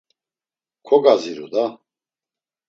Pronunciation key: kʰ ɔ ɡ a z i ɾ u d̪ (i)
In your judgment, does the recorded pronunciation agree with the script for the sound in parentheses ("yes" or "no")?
no